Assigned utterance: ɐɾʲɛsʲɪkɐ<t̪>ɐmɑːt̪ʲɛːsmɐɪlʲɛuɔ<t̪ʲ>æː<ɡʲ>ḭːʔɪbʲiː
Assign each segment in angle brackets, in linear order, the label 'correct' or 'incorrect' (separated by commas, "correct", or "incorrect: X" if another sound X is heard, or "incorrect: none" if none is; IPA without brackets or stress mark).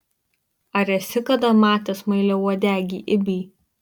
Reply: incorrect: d̪, incorrect: d̪ʲ, correct